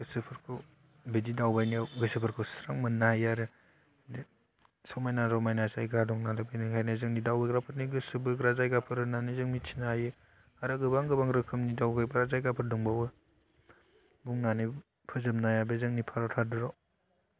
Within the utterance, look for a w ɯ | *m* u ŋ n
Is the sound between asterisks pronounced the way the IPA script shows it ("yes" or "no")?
no